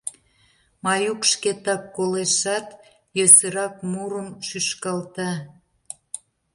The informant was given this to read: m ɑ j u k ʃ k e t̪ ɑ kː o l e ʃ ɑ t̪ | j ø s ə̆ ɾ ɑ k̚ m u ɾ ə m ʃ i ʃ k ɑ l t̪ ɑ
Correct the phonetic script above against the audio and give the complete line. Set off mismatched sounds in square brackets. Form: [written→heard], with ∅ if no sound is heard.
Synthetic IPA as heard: m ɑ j u k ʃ k e t̪ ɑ kː o l e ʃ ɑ t̪ | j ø s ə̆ ɾ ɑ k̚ m u ɾ ə m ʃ [i→y] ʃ k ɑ l t̪ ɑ

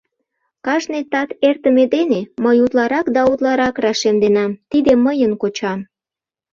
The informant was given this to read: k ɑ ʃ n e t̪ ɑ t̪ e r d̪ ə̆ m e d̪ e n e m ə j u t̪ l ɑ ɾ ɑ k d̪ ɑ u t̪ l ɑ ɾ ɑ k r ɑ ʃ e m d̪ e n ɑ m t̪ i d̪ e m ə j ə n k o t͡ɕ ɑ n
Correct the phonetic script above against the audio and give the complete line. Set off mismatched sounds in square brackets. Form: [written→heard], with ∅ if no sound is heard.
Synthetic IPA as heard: k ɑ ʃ n e t̪ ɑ t̪ e r [d̪→t̪] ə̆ m e d̪ e n e m ə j u t̪ l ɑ ɾ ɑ k d̪ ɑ u t̪ l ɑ ɾ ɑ k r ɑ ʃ e m d̪ e n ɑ m t̪ i d̪ e m ə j ə n k o t͡ɕ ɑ [n→m]

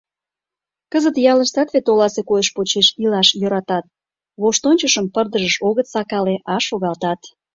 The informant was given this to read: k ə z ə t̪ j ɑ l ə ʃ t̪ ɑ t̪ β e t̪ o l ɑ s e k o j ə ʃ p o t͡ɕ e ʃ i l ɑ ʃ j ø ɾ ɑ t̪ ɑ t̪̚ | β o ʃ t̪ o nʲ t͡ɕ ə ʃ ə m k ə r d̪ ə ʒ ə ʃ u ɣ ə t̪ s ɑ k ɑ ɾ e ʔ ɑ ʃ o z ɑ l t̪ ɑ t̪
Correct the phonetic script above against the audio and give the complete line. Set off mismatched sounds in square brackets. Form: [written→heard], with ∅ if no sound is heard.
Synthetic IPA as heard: k ə z ə t̪ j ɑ l ə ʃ t̪ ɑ t̪ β e t̪ o l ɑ s e k o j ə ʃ p o t͡ɕ e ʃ i l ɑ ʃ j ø ɾ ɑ t̪ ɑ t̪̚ | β o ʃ t̪ o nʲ t͡ɕ ə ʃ ə m [k→p] ə r d̪ ə ʒ ə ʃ [u→o] ɣ ə t̪ s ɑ k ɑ [ɾ→l] e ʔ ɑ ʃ o [z→ɣ] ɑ l t̪ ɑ t̪

